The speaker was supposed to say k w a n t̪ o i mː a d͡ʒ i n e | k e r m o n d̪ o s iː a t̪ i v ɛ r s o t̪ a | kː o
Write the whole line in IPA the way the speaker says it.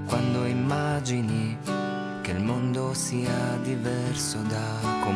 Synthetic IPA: k w a n d̪ o i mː a d͡ʒ i n i | k e l m o n d̪ o s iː a d̪ i v ɛ r s o d̪ a | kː o